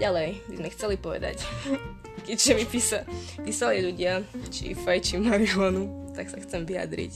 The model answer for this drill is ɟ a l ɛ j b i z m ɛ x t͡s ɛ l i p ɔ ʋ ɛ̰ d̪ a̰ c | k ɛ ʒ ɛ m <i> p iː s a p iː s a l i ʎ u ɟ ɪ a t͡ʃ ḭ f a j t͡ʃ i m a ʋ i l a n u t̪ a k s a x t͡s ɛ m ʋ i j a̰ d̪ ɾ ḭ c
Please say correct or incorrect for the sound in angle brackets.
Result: correct